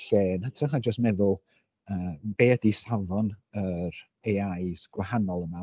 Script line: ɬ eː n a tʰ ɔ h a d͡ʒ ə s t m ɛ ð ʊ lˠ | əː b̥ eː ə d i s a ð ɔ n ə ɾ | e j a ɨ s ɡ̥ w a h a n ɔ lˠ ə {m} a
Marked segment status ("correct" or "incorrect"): correct